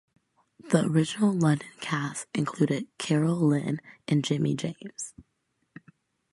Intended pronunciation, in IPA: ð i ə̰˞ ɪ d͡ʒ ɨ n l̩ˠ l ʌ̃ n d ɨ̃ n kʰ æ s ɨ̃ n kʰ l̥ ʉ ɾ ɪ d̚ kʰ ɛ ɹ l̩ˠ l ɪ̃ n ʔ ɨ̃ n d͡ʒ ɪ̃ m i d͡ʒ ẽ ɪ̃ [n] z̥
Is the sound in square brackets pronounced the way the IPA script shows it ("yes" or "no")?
no